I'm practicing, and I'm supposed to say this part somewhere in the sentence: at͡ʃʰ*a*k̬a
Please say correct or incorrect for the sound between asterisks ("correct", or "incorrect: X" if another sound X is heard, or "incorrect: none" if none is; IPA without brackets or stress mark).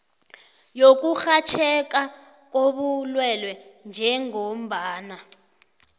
incorrect: ɛ